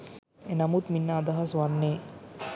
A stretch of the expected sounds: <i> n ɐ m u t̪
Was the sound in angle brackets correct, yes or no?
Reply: no